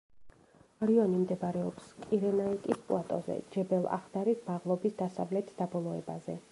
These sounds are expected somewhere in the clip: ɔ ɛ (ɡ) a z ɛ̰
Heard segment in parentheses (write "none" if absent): b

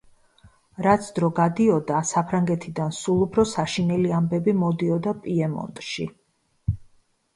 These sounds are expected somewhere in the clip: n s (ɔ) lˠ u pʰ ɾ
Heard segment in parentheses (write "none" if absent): u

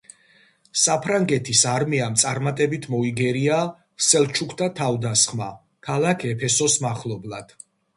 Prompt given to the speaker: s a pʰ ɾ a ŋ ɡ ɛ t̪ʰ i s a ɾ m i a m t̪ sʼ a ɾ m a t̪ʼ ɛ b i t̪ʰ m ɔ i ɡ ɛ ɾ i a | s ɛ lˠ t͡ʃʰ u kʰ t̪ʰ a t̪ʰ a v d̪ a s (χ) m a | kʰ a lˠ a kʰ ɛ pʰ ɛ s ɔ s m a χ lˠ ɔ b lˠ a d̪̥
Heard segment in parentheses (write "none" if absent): χ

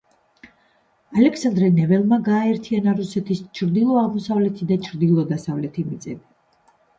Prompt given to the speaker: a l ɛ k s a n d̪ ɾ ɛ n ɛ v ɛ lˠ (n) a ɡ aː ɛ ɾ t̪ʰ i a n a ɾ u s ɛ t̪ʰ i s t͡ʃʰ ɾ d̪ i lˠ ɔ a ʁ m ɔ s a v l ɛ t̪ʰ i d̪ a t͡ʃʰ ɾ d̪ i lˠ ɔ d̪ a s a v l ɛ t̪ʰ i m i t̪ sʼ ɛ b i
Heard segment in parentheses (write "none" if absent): m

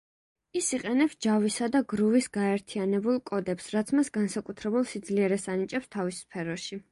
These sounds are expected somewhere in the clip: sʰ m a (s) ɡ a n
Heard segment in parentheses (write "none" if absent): s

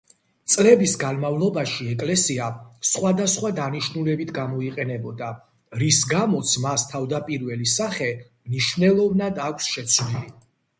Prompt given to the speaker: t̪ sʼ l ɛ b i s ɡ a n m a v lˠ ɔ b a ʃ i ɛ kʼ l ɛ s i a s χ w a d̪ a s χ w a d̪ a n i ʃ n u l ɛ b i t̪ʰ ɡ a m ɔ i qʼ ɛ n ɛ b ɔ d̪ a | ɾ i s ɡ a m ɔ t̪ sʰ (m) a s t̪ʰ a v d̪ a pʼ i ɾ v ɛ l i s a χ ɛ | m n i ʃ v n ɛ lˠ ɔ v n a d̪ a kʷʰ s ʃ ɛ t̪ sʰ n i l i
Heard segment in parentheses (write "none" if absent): m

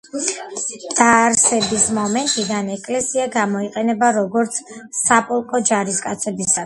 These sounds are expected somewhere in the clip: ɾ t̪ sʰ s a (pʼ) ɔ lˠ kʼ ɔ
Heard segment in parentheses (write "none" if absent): pʼ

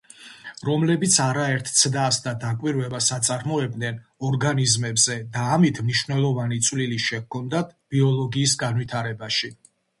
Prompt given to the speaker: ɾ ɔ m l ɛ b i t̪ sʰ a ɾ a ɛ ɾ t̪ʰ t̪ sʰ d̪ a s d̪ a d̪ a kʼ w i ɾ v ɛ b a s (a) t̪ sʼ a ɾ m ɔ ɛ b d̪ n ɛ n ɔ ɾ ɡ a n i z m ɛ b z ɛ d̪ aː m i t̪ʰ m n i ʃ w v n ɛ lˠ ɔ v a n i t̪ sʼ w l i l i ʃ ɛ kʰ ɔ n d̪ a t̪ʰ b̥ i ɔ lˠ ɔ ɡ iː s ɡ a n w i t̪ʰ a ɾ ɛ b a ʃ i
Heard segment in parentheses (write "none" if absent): a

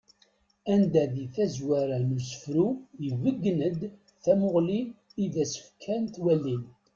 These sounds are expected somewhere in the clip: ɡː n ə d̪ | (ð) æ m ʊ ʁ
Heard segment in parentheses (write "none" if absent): θ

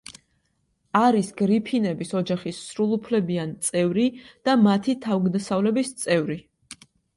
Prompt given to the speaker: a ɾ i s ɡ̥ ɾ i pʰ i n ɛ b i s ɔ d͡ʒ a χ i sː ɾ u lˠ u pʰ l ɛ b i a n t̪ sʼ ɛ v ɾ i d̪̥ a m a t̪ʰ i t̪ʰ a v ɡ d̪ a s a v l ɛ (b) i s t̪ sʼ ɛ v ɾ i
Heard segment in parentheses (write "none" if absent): b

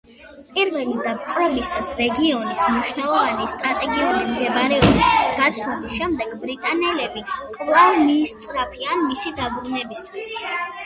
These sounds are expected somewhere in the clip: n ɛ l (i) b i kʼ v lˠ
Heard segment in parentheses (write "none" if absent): ɛ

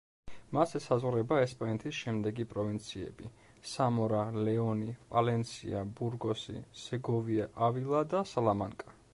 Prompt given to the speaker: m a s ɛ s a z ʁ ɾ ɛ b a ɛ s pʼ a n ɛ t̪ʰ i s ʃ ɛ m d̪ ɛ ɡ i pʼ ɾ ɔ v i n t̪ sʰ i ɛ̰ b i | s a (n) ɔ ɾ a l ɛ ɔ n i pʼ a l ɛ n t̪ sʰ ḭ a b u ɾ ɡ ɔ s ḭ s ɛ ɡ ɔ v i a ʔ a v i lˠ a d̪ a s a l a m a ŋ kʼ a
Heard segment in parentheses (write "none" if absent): m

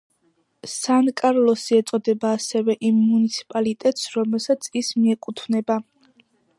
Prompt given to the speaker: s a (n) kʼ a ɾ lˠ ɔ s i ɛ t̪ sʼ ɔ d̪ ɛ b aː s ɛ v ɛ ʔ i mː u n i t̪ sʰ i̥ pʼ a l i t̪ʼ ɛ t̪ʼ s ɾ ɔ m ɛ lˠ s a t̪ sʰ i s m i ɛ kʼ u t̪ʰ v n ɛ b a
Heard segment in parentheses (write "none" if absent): n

